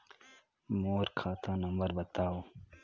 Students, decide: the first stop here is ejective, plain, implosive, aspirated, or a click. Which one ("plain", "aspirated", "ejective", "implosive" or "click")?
aspirated